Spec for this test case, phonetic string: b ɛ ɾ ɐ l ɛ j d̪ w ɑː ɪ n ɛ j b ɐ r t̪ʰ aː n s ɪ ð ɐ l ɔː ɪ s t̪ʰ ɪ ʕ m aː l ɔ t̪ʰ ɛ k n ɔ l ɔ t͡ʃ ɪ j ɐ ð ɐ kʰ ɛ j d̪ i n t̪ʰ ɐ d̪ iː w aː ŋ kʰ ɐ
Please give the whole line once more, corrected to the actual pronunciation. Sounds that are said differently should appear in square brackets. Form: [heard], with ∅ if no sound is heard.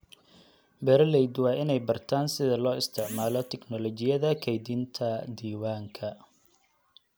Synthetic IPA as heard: b ɛ ɾ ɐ l ɛ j d̪ w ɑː ɪ n ɛ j b ɐ r t̪ʰ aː n s ɪ ð ɐ l ɔː ɪ s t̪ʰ ɪ ʕ m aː l ɔ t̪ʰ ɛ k n ɔ l ɔ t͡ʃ ɪ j ɐ ð ɐ kʰ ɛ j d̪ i n t̪ʰ ɐ d̪ iː w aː ŋ kʰ ɐ